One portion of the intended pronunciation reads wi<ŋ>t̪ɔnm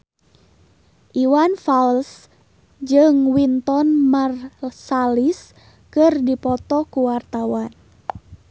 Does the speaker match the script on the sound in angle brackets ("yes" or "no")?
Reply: no